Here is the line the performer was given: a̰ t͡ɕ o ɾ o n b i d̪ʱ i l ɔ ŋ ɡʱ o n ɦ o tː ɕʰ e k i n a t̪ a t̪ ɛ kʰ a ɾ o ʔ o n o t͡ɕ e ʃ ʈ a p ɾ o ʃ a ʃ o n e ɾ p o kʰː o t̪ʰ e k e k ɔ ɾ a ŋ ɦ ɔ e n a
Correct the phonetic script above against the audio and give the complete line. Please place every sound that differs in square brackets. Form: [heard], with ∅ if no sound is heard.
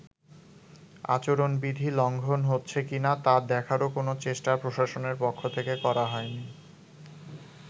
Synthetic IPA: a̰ t͡ɕ o ɾ o n b i d̪ʱ i l ɔ ŋ ɡʱ o n ɦ o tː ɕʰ e k i n a t̪ a [d̪] ɛ kʰ a ɾ o [k] o n o t͡ɕ e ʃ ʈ a p ɾ o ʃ a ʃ o n e ɾ p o kʰː o t̪ʰ e k e k ɔ ɾ a [∅] ɦ ɔ e n [i]